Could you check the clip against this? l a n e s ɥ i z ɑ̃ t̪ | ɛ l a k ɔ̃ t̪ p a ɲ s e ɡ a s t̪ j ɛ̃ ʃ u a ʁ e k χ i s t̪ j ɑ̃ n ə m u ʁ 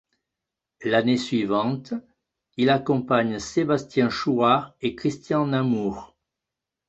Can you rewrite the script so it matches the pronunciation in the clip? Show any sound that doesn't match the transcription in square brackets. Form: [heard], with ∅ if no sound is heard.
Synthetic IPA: l a n e s ɥ i [v] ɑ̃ t̪ | [i] l a k ɔ̃ [∅] p a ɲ s e [b] a s t̪ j ɛ̃ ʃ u a ʁ e k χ i s t̪ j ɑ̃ n [a] m u ʁ